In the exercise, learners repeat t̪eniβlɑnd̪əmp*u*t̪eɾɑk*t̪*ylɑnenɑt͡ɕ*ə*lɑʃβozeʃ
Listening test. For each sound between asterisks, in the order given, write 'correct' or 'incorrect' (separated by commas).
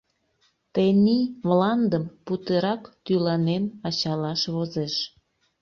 correct, correct, incorrect